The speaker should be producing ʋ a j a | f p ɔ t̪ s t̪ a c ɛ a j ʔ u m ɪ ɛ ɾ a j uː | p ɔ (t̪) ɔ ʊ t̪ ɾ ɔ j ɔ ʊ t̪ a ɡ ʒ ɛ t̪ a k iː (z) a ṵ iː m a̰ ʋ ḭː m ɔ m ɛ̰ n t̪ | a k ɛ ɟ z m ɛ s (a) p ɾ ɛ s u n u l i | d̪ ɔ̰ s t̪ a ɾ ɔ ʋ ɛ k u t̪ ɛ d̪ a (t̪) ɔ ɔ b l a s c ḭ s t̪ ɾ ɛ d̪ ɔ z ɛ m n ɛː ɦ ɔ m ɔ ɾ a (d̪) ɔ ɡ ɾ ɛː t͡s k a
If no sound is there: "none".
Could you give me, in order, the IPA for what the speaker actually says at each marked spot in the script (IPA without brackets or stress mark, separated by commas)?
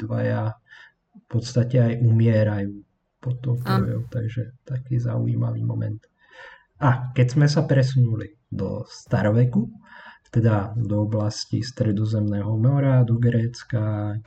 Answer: t̪, z, a, d̪, d̪